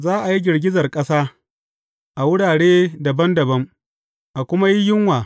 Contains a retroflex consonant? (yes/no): yes